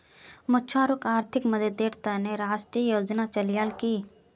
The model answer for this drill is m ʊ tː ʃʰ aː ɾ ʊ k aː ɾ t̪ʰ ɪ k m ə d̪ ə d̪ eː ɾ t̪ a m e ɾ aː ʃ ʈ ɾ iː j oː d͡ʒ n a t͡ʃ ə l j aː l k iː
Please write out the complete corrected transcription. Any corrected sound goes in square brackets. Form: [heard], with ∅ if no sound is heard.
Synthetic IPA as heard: m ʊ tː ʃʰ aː ɾ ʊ k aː ɾ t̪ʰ ɪ k m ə d̪ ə d̪ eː ɾ t̪ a [n] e ɾ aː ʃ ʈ ɾ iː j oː d͡ʒ n a t͡ʃ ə l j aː l k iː